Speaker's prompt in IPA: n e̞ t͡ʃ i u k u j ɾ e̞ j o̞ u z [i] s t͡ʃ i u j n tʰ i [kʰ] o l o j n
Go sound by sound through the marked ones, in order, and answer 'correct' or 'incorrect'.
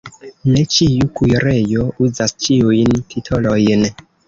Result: incorrect, incorrect

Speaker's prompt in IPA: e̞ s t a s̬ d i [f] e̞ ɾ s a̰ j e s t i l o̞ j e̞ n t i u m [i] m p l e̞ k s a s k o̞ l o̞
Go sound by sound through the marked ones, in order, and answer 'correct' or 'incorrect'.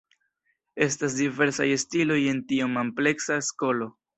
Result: incorrect, incorrect

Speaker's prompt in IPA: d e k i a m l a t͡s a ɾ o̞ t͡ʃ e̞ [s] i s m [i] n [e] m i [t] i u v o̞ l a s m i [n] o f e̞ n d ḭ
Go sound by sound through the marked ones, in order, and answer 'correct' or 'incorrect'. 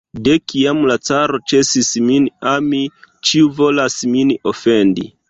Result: correct, correct, incorrect, incorrect, correct

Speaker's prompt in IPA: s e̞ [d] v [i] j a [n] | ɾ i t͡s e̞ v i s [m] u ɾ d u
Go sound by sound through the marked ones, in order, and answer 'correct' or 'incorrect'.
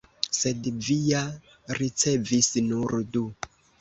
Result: correct, correct, incorrect, incorrect

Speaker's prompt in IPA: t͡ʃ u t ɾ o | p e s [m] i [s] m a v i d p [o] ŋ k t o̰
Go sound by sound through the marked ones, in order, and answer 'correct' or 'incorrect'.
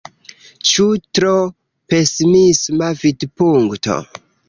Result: correct, correct, incorrect

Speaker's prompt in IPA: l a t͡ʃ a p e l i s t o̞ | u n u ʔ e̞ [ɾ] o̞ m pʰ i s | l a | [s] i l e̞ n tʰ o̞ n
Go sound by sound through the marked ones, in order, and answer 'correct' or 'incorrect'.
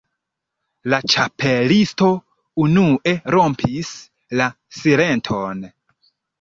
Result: correct, correct

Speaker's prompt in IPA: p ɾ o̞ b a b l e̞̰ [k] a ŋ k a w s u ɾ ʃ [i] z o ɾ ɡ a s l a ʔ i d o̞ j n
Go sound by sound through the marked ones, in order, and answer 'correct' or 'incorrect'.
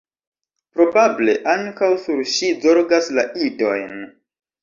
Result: incorrect, correct

